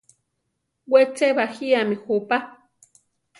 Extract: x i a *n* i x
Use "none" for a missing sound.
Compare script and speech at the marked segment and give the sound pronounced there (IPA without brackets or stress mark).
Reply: m